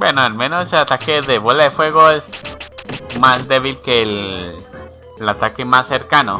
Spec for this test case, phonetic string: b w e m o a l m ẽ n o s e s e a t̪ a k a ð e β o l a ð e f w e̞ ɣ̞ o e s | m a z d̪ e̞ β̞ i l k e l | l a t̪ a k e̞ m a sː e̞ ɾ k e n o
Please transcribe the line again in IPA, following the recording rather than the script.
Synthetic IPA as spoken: b w e n o a l m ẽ n o s e s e a t̪ a k e ð e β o l a ð e f w e̞ ɣ̞ o e s | m a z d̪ e̞ β̞ i l k e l | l a t̪ a k e̞ m a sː e̞ ɾ k a n o